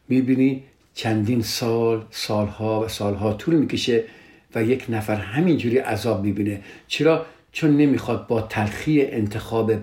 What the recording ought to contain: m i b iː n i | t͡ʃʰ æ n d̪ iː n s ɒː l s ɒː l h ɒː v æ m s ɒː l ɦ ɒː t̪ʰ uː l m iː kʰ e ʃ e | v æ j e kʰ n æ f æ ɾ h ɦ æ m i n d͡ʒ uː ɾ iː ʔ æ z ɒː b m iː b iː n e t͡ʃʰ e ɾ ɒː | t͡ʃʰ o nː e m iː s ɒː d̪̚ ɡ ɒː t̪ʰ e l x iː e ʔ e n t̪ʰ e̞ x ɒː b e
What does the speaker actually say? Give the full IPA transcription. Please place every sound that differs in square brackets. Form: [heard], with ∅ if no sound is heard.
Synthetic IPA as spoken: m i b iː n i | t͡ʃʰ æ n d̪ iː n s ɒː l s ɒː l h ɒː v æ [∅] s ɒː l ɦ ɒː t̪ʰ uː l m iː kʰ e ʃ e | v æ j e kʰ n æ f æ ɾ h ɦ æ m i n d͡ʒ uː ɾ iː ʔ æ z ɒː b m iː b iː n e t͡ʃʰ e ɾ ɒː | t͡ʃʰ o nː e m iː [x] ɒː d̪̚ [b] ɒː t̪ʰ [æ] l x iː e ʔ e n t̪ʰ e̞ x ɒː b e